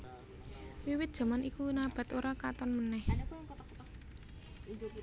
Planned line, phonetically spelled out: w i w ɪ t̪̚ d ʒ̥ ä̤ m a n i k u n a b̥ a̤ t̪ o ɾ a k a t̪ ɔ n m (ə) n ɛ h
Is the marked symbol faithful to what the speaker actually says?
yes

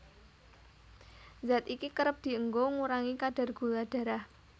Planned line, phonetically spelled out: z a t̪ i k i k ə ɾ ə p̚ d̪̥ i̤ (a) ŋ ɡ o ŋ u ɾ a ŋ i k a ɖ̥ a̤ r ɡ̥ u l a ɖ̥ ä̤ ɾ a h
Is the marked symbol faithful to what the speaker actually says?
no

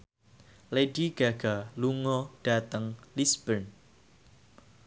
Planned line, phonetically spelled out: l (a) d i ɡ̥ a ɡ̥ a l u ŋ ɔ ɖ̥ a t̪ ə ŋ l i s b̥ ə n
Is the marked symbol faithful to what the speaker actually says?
no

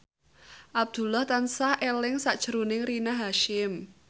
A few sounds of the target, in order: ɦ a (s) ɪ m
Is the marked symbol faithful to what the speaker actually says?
no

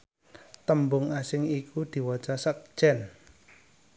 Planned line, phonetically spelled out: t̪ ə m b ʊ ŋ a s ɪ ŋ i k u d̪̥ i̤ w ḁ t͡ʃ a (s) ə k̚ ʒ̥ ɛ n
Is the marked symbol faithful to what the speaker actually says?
yes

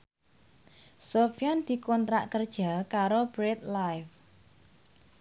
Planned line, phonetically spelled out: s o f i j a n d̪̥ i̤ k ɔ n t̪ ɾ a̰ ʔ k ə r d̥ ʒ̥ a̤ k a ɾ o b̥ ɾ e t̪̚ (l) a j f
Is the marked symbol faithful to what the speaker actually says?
yes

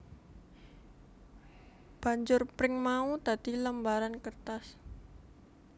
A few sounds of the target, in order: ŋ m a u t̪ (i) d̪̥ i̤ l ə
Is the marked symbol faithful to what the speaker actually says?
no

